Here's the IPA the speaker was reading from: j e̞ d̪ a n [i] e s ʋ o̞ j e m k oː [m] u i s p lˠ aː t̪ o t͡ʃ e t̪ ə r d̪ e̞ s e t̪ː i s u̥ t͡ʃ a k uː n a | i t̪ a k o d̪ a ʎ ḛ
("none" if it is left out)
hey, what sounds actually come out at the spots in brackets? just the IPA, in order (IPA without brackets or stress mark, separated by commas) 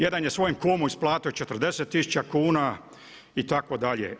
j, m